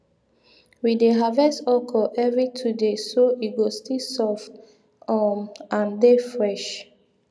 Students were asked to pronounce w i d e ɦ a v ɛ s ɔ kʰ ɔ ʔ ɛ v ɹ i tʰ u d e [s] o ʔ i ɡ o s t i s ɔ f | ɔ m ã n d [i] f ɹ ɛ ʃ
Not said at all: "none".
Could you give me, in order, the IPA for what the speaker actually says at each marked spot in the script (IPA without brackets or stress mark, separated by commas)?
s, e